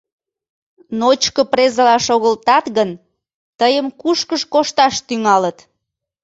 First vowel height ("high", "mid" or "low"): mid